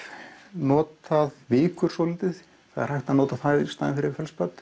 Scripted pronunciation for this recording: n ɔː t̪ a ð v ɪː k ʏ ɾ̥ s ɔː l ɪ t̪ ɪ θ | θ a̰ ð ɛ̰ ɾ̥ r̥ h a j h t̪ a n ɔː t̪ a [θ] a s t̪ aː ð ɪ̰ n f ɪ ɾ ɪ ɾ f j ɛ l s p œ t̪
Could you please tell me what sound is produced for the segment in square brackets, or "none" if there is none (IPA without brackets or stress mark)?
θ